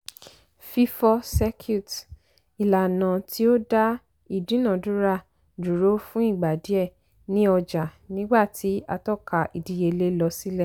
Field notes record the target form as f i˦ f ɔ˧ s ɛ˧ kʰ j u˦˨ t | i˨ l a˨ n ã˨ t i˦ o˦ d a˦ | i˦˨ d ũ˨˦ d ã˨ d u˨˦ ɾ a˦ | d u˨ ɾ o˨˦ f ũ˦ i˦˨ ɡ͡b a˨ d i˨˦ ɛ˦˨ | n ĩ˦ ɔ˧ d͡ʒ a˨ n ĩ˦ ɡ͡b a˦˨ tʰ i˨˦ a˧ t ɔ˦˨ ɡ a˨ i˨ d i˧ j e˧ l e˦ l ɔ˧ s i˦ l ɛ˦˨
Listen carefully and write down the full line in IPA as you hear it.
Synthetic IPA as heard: f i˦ f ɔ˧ s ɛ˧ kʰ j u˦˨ t | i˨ l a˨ n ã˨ t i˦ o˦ d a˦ | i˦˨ d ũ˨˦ n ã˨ d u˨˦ ɾ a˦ | d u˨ ɾ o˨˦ f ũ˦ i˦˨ ɡ͡b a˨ d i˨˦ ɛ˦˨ | n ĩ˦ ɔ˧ d͡ʒ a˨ n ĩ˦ ɡ͡b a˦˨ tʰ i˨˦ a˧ t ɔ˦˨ k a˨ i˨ d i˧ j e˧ l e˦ l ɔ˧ s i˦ l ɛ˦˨